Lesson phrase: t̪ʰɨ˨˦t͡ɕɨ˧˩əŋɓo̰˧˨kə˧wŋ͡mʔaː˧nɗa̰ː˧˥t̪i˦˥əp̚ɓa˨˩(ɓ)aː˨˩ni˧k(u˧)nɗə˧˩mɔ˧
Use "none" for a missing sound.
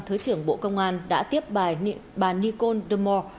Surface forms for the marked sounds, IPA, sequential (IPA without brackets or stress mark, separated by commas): ɓ, o˧